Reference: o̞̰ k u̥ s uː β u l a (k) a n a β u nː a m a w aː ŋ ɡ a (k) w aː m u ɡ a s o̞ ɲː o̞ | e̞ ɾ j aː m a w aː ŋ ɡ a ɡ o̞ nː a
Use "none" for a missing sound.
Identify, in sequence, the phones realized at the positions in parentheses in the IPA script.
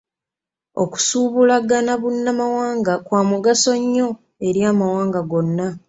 ɡ, k

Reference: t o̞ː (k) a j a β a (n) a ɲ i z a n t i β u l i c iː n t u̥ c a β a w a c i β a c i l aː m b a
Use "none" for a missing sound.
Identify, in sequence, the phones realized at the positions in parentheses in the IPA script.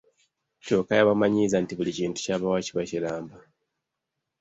k, m

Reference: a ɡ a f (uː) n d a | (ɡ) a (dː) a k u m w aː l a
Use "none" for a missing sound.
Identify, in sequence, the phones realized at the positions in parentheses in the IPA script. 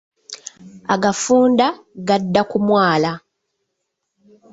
uː, ɡ, dː

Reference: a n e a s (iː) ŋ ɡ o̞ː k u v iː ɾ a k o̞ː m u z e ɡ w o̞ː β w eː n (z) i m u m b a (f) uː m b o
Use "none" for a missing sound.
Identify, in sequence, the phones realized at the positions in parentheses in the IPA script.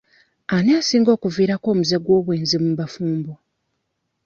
iː, z, f

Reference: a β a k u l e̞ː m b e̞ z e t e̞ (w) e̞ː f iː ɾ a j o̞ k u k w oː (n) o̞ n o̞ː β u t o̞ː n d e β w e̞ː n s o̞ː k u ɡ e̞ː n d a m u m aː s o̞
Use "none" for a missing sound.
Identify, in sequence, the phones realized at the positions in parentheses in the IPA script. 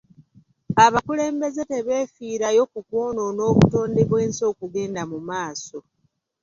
β, n

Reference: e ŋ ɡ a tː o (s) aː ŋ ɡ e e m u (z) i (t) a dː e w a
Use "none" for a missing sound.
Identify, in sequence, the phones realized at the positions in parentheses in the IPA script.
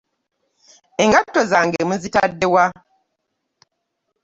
z, z, t

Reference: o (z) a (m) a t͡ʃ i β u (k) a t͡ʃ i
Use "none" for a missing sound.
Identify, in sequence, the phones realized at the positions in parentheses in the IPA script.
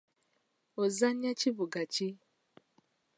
z, ɲ, ɡ

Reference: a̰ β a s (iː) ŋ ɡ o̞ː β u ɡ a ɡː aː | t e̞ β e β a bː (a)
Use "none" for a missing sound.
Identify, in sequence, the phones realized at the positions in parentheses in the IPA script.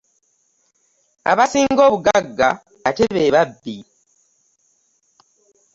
iː, i

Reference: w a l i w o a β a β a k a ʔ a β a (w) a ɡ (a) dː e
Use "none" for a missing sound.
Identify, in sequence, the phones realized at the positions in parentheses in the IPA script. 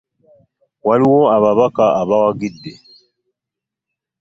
w, i

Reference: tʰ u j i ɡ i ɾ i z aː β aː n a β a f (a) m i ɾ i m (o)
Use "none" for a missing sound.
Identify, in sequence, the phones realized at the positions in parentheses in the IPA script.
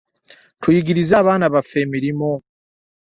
e, o

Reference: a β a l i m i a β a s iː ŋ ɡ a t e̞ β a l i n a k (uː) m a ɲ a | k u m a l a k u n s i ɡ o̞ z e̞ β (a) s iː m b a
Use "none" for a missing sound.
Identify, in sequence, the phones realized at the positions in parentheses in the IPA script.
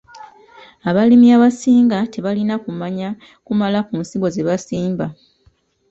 u, a

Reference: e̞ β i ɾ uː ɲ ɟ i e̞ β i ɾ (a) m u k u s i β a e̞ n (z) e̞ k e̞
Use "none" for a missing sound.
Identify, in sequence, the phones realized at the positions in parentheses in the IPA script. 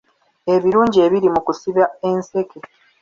i, s

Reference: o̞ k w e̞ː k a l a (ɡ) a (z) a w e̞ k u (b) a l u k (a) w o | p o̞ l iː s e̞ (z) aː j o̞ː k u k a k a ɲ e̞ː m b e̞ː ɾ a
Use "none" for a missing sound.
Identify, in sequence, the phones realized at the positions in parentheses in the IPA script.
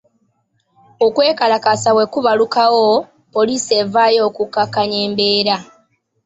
k, s, β, a, v

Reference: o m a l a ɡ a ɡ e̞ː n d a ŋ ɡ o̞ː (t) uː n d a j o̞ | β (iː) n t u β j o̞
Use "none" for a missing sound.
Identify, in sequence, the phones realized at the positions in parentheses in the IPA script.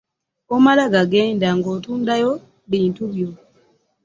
t, iː

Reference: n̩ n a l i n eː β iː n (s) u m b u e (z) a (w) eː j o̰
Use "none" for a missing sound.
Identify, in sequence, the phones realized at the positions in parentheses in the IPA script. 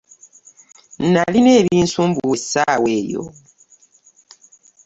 s, s, w

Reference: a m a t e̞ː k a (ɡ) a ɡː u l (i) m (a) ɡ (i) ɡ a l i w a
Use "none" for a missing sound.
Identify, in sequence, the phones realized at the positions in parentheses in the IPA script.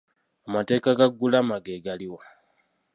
ɡ, a, a, e

